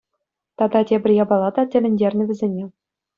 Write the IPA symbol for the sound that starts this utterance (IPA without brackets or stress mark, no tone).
t̪